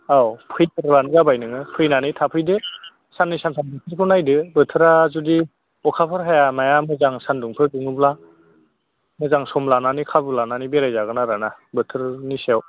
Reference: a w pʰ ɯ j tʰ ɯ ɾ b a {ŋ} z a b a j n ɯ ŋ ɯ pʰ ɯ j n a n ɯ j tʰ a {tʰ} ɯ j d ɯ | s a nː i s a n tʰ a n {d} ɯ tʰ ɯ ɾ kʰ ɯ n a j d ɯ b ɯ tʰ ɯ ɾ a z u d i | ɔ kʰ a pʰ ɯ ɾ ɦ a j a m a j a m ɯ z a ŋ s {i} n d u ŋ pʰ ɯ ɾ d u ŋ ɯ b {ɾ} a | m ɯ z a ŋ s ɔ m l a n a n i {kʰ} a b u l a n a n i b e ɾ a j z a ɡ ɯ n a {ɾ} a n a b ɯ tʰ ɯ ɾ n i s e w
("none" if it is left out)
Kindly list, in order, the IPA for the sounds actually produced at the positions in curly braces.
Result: n, pʰ, b, a, l, kʰ, ɾ

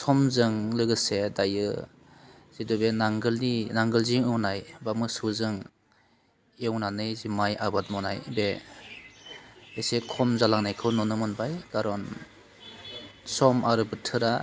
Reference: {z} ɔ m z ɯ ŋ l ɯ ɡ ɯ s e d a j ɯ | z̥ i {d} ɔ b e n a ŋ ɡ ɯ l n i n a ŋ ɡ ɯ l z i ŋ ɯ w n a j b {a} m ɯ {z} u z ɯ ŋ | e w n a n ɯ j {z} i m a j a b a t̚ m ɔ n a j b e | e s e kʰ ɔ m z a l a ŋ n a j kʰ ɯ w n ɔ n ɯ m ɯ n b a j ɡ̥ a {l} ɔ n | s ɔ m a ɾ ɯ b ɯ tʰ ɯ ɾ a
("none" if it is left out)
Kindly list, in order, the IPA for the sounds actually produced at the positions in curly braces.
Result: s, d, a, s, z, ɾ

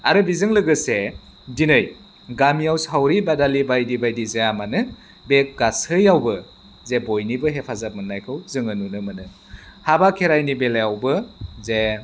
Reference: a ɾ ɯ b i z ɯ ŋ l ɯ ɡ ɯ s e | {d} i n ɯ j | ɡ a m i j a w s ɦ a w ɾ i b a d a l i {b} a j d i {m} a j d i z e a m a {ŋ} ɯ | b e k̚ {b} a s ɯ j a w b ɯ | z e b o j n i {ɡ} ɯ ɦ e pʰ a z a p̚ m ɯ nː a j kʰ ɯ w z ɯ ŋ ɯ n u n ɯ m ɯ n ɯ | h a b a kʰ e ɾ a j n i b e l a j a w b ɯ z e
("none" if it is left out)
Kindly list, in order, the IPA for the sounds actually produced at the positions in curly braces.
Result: d, b, b, n, ɡ, b

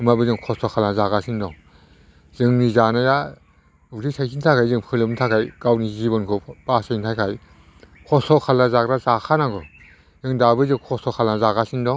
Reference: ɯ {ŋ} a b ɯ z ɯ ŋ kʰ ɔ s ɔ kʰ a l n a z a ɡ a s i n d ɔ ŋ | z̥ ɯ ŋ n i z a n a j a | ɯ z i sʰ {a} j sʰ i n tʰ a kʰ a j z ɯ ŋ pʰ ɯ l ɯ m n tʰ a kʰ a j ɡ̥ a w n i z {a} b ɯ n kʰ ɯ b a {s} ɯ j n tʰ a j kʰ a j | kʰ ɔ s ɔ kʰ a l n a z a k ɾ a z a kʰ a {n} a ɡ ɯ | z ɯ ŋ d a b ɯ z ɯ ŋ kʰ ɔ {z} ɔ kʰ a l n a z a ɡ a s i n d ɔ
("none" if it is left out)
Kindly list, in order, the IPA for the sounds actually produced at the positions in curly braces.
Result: m, a, i, s, n, s

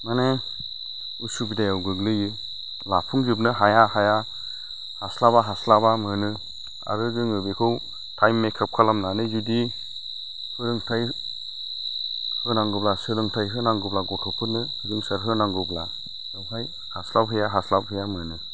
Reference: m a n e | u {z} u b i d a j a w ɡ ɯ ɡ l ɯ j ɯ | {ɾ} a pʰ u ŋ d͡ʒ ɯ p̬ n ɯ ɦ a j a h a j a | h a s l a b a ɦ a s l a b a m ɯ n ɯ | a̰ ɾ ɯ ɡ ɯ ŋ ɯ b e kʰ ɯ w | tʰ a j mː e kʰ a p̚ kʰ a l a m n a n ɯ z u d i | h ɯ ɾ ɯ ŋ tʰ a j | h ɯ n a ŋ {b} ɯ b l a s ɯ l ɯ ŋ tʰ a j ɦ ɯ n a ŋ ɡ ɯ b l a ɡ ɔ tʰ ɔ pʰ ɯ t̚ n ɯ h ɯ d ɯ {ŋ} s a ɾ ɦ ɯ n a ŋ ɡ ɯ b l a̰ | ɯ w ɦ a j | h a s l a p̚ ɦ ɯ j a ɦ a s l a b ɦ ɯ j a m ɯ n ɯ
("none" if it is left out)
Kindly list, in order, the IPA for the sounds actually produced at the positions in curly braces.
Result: s, l, ɡ, ŋ

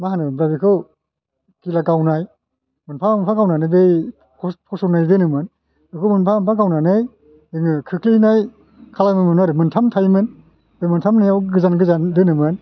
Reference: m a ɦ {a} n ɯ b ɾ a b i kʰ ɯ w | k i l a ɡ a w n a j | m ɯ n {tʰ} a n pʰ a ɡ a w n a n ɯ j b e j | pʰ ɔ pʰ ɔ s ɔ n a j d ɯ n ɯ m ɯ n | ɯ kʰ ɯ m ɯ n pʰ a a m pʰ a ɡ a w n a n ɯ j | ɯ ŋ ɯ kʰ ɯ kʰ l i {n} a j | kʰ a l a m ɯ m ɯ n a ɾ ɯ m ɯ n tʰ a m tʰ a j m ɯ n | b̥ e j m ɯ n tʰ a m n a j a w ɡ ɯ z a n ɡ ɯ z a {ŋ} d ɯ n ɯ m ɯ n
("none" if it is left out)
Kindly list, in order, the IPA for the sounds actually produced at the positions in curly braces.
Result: a, pʰ, n, n

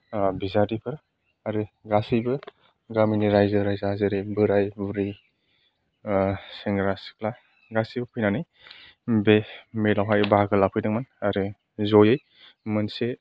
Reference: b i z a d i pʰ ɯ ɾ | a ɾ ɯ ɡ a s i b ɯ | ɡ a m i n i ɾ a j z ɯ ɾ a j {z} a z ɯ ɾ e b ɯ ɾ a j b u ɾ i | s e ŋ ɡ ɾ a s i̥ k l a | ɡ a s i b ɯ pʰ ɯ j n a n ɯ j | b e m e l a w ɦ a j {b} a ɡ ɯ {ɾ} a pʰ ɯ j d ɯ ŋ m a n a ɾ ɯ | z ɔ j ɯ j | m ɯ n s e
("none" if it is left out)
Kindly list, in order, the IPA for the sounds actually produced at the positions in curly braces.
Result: z, b, l

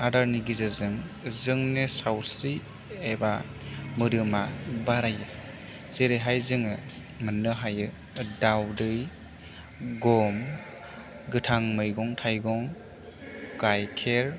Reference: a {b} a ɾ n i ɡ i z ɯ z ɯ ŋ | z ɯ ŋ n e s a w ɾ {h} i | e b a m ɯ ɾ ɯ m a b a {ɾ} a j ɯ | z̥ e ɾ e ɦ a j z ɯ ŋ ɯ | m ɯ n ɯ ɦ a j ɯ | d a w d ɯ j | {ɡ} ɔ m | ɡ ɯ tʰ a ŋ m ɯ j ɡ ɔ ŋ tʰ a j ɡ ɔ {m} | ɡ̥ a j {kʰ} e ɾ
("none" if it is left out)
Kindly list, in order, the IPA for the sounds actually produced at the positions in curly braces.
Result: d, s, ɾ, ɡ, ŋ, kʰ

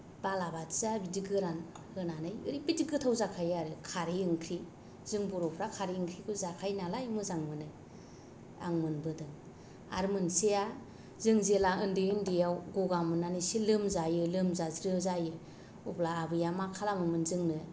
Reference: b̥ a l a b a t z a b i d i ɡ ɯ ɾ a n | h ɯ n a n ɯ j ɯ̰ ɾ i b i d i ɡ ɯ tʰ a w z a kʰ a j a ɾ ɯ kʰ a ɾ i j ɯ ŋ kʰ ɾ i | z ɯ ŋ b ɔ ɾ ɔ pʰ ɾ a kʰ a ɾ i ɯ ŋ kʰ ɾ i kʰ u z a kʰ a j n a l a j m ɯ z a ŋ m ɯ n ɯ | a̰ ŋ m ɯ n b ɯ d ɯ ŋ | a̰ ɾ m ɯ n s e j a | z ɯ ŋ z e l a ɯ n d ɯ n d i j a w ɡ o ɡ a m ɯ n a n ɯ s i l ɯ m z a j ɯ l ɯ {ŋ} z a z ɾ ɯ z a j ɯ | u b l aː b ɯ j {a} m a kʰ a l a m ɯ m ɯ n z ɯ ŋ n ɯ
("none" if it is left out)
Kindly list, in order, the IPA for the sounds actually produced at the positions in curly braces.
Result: m, a

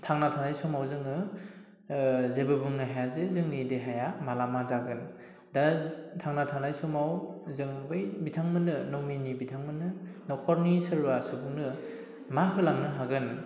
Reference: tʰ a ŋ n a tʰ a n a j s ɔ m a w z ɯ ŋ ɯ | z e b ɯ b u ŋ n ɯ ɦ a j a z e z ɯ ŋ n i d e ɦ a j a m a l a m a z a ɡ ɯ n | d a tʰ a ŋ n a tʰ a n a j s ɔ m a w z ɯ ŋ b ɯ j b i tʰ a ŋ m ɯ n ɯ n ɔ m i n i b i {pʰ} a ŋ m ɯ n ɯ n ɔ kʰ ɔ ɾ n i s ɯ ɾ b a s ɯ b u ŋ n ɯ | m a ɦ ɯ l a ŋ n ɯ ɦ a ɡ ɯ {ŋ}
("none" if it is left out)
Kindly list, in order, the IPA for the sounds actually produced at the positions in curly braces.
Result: tʰ, n

